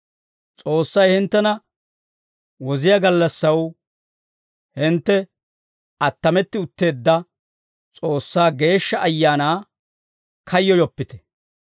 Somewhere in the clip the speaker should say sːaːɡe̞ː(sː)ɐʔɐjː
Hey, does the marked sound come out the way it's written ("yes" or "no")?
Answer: no